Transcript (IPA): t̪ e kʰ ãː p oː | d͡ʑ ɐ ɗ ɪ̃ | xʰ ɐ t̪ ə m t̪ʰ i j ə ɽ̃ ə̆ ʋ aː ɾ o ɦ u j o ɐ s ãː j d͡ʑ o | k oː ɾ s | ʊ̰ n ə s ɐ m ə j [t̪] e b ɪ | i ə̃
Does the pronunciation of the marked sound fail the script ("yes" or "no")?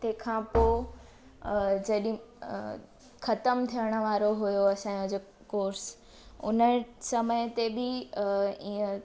no